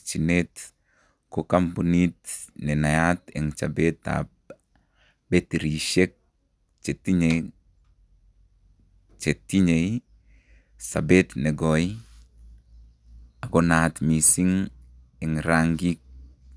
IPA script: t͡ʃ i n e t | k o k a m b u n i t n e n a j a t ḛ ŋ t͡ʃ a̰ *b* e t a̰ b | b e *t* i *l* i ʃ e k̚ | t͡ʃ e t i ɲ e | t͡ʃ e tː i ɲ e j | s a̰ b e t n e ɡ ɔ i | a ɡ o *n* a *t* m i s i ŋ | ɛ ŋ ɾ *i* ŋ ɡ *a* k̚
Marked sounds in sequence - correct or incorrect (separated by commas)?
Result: correct, correct, incorrect, correct, correct, incorrect, incorrect